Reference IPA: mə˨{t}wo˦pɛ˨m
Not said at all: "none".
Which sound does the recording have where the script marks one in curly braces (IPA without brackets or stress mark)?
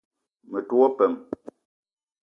t